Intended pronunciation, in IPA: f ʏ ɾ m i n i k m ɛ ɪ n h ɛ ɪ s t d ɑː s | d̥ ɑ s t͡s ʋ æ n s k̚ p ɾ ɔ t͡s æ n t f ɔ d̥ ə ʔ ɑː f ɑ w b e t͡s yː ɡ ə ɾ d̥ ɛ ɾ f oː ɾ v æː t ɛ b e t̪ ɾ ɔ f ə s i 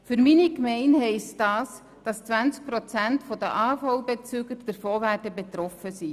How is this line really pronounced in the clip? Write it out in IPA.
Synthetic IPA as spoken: f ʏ ɾ m i n i k m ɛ ɪ n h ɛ ɪ s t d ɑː s | d̥ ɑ s t͡s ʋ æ n t͡s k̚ p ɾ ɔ t͡s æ n t f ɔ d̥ ə ʔ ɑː f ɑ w b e t͡s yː ɡ ə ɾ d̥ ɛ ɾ f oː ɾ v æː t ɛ b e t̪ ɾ ɔ f ə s i